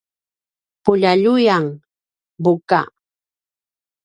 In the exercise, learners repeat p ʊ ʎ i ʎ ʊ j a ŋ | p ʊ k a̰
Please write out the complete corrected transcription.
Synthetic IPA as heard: p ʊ ʎ a ʎ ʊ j a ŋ | b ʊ k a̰